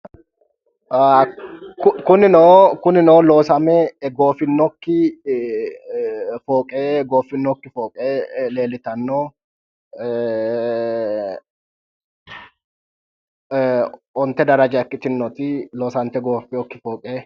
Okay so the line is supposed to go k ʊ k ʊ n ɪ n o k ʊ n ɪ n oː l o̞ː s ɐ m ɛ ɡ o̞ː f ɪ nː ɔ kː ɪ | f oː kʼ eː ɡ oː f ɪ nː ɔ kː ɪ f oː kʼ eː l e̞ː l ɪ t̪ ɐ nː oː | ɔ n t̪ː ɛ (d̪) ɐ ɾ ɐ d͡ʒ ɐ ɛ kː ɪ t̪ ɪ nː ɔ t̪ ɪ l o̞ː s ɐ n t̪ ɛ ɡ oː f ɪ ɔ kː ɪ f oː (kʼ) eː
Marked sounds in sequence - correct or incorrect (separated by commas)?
correct, correct